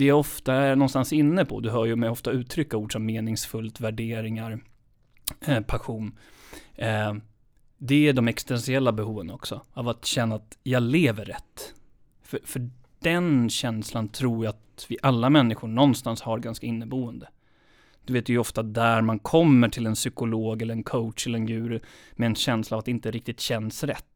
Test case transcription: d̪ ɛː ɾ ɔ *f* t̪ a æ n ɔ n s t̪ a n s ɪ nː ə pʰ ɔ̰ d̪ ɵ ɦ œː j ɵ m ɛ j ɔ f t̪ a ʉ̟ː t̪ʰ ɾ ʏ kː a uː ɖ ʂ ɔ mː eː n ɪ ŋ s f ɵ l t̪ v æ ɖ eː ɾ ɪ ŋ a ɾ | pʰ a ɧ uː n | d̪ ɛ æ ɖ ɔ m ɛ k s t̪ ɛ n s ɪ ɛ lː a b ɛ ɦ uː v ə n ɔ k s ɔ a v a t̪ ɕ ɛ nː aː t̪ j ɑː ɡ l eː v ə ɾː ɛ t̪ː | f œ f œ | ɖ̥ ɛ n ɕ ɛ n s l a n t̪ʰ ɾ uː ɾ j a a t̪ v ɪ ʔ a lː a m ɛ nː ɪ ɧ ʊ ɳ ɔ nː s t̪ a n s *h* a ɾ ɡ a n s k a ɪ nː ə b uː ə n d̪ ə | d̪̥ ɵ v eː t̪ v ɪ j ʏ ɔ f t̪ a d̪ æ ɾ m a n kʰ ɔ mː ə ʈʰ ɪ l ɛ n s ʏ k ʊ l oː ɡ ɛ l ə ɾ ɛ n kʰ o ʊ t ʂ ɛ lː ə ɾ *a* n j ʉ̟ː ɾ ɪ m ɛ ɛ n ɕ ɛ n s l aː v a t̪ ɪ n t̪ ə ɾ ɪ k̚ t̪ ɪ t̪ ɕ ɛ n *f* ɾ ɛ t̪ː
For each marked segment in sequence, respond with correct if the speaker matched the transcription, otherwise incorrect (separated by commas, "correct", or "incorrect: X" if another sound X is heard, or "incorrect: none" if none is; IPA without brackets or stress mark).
correct, correct, incorrect: ɛ, incorrect: s